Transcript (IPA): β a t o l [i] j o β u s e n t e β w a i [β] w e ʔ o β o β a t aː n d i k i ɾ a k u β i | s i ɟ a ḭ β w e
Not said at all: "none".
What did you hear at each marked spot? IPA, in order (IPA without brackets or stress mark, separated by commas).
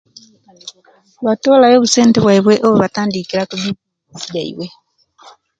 a, β